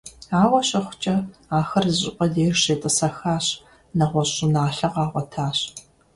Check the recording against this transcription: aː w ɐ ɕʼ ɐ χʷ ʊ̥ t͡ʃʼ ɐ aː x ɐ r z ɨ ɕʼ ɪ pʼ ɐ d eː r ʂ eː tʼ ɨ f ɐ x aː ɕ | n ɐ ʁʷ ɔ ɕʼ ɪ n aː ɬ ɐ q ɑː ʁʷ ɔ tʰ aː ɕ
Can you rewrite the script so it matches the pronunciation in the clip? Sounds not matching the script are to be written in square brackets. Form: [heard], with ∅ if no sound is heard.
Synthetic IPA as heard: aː w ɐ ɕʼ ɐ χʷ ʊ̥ t͡ʃʼ ɐ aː x ɐ r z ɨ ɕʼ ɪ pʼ ɐ d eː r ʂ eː tʼ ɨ [s] ɐ x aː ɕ | n ɐ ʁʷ ɔ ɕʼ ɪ n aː ɬ ɐ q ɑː ʁʷ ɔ tʰ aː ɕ